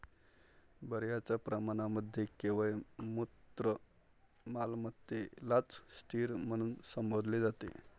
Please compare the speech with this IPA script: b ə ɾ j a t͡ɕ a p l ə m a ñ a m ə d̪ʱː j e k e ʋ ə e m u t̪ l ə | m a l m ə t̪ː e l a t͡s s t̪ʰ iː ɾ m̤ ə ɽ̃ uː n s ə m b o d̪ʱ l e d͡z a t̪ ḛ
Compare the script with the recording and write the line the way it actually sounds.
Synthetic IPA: b ə ɾ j a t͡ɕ a p ɾ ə m a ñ a m ə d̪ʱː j e k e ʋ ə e m u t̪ ɾ ə | m a l m ə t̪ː e l a t͡s s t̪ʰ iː ɾ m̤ ə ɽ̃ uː n s ə m b o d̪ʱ l e d͡z a t̪ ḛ